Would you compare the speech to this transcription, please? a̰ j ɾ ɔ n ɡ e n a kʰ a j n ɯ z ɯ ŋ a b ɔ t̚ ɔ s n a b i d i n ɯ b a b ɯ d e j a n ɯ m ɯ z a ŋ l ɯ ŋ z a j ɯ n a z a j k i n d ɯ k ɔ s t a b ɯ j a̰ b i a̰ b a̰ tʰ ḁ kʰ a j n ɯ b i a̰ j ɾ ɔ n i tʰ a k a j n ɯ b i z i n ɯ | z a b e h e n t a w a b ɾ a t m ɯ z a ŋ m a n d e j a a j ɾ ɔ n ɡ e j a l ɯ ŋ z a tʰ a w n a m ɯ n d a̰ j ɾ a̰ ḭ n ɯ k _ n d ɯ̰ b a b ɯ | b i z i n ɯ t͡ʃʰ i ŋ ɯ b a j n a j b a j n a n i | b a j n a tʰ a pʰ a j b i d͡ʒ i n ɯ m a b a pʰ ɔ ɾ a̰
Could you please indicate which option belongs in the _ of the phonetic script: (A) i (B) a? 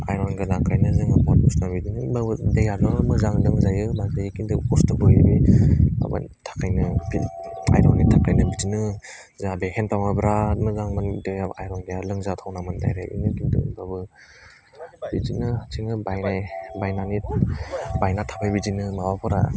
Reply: A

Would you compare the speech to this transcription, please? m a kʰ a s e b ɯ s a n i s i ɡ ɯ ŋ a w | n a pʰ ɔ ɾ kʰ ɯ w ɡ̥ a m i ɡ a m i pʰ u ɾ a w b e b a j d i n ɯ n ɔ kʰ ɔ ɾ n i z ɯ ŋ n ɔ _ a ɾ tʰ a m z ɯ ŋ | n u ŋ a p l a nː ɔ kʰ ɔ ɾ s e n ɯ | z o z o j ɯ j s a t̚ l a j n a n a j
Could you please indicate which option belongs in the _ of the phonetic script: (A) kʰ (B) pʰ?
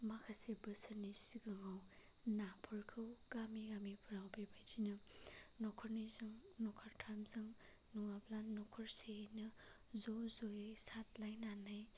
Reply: A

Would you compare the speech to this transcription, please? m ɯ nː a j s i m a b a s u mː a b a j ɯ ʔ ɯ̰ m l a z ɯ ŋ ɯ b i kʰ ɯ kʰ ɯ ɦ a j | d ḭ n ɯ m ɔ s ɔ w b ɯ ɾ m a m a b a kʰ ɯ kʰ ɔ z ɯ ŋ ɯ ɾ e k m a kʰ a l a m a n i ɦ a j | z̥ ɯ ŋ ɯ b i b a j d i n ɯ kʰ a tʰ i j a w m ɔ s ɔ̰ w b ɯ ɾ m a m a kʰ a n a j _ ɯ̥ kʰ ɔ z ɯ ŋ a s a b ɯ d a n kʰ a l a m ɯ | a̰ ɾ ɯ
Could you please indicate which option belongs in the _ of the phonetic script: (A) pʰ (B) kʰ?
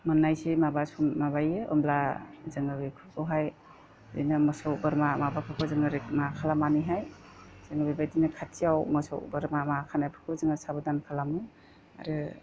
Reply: A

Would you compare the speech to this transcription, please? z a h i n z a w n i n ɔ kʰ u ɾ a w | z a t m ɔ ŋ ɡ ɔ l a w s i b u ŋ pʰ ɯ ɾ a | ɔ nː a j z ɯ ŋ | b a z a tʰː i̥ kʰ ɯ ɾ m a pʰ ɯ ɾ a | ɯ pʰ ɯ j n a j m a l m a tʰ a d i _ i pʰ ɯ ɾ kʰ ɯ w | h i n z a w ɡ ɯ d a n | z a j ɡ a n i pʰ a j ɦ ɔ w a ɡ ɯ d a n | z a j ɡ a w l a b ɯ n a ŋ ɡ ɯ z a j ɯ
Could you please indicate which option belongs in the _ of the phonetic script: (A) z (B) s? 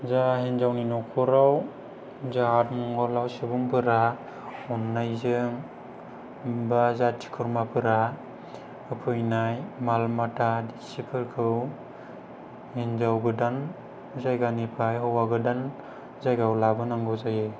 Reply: B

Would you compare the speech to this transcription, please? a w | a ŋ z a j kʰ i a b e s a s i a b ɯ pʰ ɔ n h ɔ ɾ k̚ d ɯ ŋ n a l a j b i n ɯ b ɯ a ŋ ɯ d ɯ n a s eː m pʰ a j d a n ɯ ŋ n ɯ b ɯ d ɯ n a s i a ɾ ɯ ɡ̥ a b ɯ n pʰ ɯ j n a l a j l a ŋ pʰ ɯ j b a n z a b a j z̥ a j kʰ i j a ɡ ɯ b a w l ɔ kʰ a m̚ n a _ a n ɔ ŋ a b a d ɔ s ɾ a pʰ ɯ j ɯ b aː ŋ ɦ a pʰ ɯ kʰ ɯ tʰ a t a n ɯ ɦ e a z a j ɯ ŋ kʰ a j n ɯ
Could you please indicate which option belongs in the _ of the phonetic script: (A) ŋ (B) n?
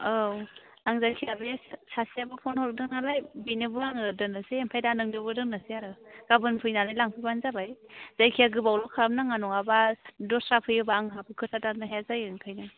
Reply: A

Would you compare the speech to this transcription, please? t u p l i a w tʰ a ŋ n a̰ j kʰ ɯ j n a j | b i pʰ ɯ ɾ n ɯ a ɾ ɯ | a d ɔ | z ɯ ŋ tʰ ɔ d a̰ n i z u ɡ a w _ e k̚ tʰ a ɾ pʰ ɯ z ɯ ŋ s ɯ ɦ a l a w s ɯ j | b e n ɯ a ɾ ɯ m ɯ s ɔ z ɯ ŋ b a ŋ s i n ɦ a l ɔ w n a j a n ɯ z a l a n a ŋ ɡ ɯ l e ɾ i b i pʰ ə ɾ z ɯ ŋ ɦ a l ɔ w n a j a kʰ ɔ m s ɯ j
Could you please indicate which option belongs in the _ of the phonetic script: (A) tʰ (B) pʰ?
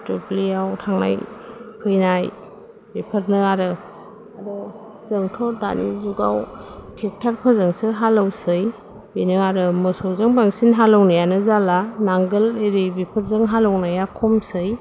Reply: A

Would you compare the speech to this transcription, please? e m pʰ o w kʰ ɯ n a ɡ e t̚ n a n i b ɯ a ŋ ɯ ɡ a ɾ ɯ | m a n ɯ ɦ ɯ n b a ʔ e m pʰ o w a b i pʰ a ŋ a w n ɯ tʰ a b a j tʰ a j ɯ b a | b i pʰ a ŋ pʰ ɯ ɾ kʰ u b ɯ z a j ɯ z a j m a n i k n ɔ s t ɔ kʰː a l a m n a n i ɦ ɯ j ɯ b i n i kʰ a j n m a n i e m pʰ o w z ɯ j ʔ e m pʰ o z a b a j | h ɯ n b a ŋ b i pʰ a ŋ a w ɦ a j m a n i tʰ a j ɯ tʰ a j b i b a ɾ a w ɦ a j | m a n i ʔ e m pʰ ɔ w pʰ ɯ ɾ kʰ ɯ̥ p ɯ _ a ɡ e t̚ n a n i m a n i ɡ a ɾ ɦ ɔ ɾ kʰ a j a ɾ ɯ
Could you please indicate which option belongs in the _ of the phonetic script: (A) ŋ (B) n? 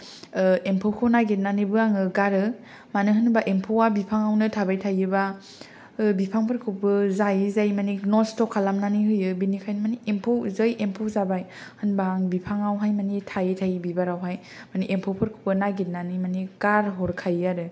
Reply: B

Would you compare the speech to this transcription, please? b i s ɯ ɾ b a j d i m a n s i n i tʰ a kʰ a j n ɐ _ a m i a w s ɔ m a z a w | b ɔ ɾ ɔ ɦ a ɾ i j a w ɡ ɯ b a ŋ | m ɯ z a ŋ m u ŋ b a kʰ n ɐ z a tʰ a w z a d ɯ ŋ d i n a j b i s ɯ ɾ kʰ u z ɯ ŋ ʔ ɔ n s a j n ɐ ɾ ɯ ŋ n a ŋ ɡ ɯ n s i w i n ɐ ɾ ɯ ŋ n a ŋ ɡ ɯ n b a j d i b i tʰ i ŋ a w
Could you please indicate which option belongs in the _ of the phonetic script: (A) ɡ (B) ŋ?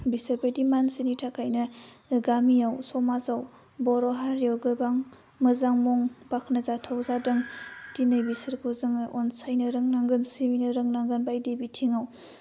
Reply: A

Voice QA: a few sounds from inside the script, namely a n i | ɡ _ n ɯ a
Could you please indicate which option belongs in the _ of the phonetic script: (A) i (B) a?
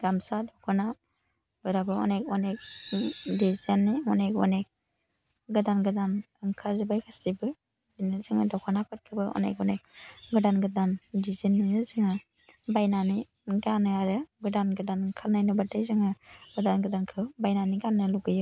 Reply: B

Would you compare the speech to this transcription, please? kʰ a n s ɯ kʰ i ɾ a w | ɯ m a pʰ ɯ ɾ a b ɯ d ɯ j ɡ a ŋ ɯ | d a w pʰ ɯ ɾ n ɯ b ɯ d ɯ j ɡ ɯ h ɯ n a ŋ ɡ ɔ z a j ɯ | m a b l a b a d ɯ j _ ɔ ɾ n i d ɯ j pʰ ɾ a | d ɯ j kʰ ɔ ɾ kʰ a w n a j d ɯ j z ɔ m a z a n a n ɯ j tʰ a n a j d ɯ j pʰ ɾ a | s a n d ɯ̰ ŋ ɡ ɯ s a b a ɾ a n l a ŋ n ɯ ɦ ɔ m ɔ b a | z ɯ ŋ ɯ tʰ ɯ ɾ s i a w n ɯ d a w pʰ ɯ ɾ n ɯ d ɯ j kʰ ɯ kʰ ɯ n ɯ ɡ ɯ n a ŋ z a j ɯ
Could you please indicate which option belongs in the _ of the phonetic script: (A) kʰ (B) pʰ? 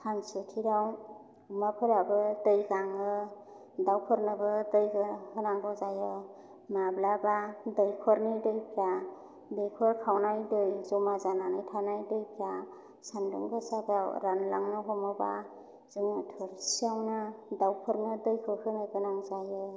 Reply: A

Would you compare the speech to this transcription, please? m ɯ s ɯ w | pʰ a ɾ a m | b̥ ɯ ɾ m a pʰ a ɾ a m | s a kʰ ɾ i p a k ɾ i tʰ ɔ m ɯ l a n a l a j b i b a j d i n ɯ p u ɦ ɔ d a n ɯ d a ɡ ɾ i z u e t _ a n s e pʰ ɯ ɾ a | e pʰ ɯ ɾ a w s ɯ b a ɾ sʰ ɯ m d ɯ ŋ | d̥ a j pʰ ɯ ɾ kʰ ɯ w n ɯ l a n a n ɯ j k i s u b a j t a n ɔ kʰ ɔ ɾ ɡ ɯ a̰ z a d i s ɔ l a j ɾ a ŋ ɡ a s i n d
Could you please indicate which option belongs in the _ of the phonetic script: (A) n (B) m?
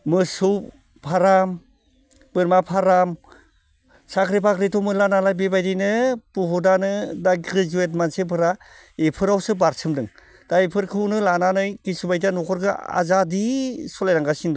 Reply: B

